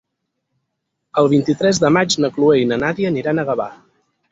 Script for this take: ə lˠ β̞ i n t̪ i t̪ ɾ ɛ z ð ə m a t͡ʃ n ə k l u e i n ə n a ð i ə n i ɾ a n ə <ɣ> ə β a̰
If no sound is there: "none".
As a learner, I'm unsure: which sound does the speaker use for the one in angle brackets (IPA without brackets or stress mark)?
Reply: ɣ